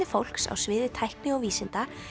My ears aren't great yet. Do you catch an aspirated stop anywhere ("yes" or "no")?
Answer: yes